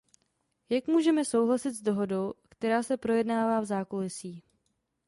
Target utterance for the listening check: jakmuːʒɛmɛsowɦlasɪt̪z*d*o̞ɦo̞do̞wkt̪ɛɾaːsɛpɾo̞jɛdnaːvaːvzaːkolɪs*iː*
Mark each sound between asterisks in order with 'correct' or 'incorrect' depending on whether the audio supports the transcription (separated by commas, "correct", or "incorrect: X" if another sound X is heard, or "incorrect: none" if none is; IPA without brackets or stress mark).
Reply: correct, correct